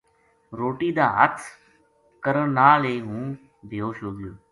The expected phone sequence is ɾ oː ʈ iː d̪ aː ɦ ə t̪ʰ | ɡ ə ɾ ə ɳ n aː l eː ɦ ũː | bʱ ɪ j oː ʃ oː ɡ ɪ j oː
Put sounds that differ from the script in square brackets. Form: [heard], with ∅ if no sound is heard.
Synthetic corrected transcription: ɾ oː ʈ iː d̪ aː ɦ ə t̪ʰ | [k] ə ɾ ə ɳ n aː l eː ɦ ũː | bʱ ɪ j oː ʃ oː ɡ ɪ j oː

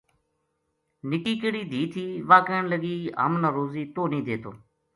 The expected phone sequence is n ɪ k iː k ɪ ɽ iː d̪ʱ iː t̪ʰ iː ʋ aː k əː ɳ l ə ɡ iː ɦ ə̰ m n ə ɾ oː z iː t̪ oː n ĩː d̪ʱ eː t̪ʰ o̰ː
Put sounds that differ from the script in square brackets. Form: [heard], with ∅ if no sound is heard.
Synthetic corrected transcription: n ɪ k iː k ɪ ɽ iː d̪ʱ iː t̪ʰ iː ʋ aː k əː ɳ l ə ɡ iː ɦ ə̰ m n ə ɾ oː z iː t̪ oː n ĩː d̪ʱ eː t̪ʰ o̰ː

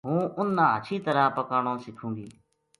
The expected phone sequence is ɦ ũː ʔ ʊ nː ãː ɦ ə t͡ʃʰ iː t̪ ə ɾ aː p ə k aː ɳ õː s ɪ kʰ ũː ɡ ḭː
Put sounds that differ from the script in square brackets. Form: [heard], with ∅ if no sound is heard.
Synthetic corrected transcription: ɦ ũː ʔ ʊ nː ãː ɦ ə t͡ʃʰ iː t̪ ə ɾ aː p ə k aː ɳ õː s ɪ kʰ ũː ɡ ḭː

